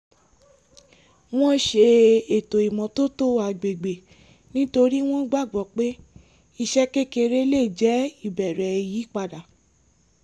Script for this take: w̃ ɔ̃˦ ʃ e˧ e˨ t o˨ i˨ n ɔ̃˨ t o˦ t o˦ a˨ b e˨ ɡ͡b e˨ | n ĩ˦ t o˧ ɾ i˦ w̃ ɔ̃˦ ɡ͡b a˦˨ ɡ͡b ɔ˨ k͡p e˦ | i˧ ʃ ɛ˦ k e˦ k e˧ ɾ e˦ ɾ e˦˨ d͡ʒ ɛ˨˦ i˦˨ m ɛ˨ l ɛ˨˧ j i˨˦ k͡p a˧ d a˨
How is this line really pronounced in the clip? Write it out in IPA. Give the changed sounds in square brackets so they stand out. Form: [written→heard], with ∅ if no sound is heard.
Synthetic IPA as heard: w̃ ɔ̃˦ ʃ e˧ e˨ t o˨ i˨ [n→m] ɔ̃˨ t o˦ t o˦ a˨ [b→ɡ͡b] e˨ ɡ͡b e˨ | n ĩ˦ t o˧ ɾ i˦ w̃ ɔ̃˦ ɡ͡b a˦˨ ɡ͡b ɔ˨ k͡p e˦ | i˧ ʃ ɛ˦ k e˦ k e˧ ɾ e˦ [ɾ→l] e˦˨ d͡ʒ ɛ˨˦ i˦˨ [m→b] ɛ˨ [l→ɾ] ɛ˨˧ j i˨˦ k͡p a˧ d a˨